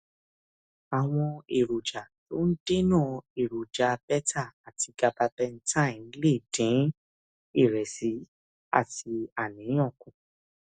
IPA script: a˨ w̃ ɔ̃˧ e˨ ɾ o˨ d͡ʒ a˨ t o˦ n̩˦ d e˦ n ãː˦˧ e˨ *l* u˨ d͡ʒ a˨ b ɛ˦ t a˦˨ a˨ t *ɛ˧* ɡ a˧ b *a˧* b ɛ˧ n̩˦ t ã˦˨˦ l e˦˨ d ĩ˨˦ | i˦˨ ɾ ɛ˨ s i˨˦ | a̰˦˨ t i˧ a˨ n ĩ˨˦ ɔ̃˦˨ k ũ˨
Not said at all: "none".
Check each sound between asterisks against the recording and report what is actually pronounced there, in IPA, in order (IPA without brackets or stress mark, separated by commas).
ɾ, i˧, a˧